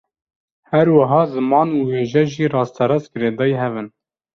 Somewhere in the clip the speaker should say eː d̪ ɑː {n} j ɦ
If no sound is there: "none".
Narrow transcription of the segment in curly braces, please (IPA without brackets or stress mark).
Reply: none